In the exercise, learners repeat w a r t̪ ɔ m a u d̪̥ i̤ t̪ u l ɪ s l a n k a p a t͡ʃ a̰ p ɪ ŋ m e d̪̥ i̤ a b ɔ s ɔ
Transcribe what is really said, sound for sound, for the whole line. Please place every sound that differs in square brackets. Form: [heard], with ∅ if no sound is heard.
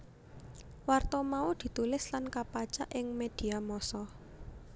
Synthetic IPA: w a r t̪ ɔ m a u d̪̥ i̤ t̪ u l ɪ s l a n k a p a t͡ʃ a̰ [ʔ] ɪ ŋ m e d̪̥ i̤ a [m] ɔ s ɔ